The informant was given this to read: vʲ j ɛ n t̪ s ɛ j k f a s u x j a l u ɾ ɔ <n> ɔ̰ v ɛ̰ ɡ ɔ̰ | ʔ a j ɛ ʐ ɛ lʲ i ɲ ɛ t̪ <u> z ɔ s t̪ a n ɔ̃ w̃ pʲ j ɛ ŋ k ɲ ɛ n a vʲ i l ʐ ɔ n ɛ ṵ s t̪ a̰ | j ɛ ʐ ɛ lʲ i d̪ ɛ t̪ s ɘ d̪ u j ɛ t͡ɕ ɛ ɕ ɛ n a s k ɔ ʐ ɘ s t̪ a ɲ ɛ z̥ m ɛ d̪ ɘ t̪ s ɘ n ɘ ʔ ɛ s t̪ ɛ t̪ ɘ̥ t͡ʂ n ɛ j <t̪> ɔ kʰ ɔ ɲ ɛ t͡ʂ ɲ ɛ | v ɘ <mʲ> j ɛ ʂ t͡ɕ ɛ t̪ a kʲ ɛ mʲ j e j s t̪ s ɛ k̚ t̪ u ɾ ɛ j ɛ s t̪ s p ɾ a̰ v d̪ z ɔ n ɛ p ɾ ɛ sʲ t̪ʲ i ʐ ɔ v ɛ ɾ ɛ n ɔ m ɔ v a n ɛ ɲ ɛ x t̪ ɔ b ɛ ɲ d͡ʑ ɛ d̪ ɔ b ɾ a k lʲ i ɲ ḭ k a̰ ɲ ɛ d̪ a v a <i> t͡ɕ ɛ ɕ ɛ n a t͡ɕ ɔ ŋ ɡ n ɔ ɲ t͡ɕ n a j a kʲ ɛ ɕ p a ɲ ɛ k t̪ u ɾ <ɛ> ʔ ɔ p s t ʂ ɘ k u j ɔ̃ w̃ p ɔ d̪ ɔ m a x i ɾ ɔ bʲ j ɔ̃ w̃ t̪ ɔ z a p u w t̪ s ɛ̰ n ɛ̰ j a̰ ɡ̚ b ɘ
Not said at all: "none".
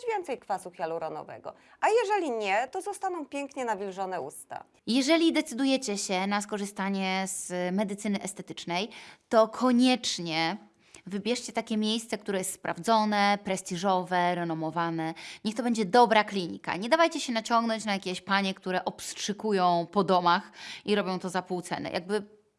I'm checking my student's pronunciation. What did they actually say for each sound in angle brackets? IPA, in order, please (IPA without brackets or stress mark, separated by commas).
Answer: n, ɔ, t̪, bʲ, j, ɛ